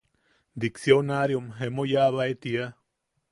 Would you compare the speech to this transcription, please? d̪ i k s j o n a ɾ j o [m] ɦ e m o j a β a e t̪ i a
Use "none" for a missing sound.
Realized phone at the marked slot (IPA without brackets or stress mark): m